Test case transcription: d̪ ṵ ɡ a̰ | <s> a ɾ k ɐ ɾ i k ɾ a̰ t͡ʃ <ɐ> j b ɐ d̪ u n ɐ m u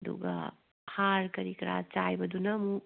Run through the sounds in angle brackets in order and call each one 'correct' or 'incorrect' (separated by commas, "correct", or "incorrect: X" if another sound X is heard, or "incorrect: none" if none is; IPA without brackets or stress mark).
incorrect: h, incorrect: a